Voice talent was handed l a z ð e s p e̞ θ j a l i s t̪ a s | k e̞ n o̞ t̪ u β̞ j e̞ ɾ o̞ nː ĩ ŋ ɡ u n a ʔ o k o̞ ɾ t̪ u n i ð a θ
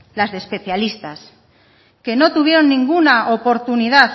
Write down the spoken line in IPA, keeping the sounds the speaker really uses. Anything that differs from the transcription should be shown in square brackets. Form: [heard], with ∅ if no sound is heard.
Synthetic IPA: l a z ð e s p e̞ θ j a l i s t̪ a s | k e̞ n o̞ t̪ u β̞ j e̞ ɾ o̞ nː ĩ ŋ ɡ u n a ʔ o [p] o̞ ɾ t̪ u n i ð a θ